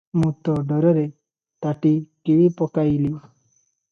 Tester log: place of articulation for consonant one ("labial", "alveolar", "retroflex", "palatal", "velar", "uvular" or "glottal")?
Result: labial